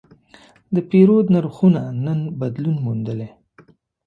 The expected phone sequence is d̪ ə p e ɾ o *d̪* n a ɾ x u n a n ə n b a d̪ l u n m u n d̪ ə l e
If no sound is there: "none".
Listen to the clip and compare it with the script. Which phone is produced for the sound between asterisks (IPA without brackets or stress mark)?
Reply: d̪